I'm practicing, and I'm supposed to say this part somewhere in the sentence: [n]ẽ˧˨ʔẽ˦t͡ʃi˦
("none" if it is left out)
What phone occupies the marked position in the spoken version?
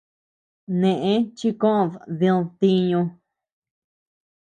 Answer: n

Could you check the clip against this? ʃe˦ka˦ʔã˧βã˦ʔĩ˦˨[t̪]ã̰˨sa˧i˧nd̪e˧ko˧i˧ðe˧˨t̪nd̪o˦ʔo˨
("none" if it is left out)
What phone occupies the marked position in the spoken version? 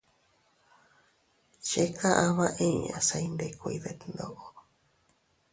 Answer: none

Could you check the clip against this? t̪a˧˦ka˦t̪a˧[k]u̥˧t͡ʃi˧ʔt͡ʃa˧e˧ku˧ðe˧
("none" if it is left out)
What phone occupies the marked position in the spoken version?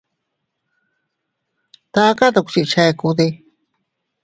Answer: k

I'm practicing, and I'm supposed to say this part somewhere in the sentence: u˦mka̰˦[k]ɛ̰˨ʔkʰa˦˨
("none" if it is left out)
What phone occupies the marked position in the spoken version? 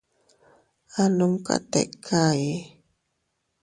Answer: t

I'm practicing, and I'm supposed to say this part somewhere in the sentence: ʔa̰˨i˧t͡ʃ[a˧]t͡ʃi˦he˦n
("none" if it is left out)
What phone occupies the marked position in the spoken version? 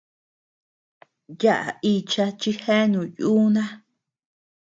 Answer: a˧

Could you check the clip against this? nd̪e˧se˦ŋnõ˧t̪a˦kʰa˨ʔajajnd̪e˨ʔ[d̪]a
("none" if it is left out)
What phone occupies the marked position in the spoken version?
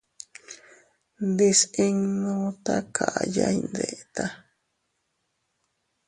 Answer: t̪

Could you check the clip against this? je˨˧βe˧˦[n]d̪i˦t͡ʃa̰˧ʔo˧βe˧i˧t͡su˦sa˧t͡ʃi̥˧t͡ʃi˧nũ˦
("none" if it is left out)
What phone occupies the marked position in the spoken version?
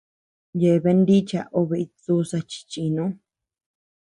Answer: n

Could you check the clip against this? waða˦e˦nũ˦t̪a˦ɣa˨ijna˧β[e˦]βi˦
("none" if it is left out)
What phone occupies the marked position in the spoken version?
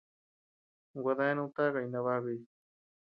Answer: a˦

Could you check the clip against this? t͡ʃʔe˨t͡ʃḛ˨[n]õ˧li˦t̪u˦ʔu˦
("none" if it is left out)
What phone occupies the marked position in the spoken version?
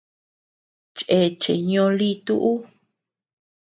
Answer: ɲ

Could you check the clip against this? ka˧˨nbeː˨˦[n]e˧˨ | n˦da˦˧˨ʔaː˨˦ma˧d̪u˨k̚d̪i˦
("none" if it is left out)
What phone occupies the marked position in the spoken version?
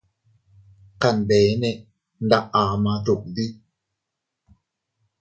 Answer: n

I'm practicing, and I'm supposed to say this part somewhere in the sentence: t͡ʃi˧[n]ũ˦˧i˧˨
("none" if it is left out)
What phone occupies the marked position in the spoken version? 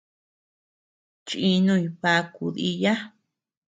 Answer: n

